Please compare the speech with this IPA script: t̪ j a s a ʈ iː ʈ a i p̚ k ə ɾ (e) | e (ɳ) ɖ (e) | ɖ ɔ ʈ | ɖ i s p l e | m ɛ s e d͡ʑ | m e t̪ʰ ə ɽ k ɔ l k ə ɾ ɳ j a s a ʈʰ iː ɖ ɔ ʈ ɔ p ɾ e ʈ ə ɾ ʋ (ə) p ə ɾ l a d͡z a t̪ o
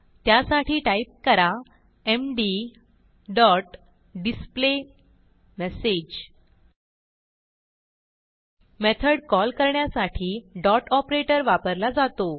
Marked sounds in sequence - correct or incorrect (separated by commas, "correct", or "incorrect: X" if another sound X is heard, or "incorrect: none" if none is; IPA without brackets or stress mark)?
incorrect: a, incorrect: m, incorrect: i, incorrect: a